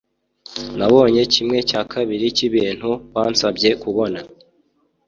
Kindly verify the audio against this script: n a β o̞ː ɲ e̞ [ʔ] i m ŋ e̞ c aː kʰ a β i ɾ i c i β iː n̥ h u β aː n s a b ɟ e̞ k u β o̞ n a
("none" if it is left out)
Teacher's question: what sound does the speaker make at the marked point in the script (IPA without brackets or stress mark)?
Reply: c